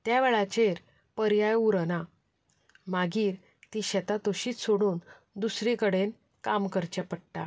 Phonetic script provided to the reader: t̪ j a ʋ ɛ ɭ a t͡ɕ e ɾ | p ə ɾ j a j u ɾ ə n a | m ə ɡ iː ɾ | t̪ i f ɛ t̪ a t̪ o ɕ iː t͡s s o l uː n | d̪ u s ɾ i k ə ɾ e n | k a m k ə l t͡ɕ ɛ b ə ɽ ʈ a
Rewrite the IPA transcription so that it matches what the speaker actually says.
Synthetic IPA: t̪ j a ʋ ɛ ɭ a t͡ɕ e ɾ | p ə ɾ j a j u ɾ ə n a | m a ɡ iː ɾ | t̪ i ɕ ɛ t̪ a t̪ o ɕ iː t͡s s o ɽ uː n | d̪ u s ɾ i k ə ɽ e n | k a m k ə ɾ t͡ɕ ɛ p ə ɽ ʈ a